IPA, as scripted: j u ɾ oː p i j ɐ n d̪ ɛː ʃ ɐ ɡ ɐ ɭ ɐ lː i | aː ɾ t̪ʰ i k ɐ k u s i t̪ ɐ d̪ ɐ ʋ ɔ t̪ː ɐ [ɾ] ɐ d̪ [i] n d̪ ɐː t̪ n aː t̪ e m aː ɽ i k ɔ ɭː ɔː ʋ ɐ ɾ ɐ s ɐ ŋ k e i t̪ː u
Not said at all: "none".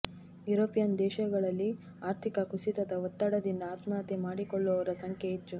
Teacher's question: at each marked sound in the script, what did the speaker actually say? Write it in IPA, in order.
ɽ, i

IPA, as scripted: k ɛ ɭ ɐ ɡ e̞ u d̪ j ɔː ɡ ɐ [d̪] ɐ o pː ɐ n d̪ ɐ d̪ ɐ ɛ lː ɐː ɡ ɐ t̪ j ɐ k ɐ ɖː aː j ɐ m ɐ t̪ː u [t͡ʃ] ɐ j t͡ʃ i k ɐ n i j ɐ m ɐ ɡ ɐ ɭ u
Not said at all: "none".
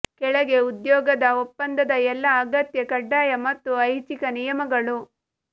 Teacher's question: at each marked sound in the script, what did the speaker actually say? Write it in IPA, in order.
d̪, none

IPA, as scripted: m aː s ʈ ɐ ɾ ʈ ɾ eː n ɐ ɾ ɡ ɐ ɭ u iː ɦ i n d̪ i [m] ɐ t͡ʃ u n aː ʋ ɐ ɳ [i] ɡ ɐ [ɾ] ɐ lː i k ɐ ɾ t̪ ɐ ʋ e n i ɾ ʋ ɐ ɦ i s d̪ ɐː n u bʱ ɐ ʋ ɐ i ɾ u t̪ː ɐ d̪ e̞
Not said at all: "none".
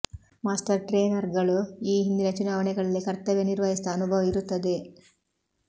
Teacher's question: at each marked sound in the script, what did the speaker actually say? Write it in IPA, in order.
n, ɛ, ɭ

